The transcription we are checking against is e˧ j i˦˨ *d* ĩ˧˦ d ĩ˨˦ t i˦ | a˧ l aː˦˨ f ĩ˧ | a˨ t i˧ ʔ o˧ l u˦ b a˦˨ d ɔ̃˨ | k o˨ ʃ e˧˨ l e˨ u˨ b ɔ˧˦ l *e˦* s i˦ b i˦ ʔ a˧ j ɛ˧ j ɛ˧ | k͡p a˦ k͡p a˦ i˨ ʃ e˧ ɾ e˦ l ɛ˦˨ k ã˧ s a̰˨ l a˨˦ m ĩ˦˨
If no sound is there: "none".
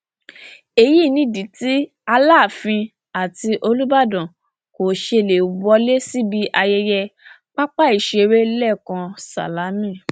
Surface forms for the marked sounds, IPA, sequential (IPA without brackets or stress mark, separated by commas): n, e˦